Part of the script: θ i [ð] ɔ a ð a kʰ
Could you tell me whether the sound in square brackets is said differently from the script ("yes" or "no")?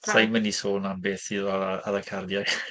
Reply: no